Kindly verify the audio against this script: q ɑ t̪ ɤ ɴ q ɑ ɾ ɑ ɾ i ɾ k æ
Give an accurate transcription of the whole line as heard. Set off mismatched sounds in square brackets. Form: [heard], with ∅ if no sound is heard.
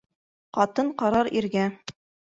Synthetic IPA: q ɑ t̪ ɤ ɴ q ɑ ɾ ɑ ɾ i ɾ [ɡ] æ